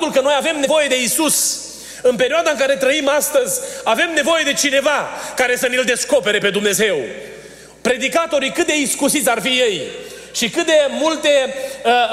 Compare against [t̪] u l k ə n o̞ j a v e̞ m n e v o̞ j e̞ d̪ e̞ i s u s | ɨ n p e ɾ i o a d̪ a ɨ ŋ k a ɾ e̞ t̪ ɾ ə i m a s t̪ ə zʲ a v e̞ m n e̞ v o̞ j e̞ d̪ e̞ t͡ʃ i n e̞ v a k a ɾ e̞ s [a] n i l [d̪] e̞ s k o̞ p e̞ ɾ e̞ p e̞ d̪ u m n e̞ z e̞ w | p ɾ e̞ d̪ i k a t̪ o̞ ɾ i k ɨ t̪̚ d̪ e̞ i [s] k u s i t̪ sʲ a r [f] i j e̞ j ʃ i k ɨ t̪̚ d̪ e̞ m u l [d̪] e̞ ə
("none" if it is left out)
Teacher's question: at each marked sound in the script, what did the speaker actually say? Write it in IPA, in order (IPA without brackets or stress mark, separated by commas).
t̪, ə, d̪, s, f, t̪